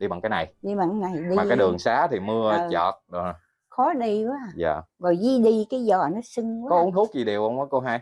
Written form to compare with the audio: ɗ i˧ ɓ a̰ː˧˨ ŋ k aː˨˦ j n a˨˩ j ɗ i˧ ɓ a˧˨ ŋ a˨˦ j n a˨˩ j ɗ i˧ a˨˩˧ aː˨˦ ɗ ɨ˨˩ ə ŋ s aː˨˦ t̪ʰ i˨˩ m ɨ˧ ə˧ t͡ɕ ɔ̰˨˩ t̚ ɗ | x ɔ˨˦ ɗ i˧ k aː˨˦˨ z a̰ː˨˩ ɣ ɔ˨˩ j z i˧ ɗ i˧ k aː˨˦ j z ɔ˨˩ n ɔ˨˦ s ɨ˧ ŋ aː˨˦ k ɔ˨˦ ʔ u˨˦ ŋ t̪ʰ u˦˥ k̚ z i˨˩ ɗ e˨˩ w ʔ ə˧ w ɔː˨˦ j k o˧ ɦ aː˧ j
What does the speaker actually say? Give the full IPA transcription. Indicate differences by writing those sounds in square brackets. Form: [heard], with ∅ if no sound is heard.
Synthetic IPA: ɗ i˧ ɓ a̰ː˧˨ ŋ k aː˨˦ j n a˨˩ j ɗ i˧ ɓ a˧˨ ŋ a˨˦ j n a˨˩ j ɗ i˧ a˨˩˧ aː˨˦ ɗ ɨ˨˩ ə ŋ s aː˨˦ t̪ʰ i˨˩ m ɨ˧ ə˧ t͡ɕ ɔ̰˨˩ t̚ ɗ | x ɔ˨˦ ɗ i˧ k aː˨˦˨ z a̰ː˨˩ ɣ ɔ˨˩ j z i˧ ɗ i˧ k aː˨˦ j z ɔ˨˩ n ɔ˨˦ s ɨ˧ ŋ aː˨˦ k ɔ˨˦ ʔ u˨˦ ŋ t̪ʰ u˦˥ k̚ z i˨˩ ɗ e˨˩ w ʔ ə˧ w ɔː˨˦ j k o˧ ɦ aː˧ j